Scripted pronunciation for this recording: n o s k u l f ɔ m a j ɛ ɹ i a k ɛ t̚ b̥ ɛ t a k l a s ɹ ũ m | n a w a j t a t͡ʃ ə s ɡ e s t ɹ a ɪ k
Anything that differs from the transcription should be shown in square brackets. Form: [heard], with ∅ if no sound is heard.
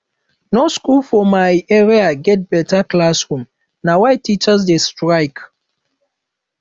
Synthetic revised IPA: n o s k u l f ɔ m a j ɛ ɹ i a [ɡ] ɛ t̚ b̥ ɛ t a k l a s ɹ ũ m | n a w a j t [i] t͡ʃ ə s [d] e s t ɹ a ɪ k